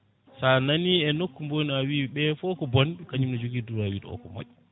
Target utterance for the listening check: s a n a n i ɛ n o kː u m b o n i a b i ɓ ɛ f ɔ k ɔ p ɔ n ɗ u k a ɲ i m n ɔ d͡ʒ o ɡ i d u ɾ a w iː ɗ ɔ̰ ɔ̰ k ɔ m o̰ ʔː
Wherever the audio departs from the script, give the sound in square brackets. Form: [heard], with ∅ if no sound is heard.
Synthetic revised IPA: s a n a n i ɛ n o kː u m b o n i a [w] i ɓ ɛ f ɔ k ɔ [b] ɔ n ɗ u k a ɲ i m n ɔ d͡ʒ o ɡ i d u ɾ a w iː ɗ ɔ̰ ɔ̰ k ɔ m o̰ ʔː